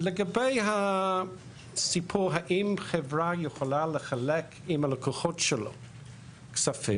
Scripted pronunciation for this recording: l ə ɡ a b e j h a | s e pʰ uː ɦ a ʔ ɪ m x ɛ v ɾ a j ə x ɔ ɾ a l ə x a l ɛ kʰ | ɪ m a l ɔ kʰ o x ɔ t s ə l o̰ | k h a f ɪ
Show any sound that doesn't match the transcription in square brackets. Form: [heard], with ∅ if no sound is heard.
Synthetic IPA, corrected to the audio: l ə ɡ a b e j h a | s [i] pʰ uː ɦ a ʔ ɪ m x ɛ v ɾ a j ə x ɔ [l] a l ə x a l ɛ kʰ | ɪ m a l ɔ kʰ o x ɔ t [ʃ] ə l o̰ | k [s] a f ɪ